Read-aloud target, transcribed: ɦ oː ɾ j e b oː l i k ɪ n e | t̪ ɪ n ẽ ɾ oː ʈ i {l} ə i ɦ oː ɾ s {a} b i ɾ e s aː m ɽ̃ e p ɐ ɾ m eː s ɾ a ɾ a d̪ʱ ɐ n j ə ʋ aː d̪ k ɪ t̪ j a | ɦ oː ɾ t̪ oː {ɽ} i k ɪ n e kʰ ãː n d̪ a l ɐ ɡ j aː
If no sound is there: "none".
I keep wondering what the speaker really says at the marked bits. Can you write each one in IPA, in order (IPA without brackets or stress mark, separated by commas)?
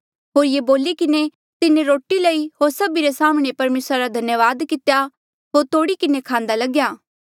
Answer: l, ɐ, ɽ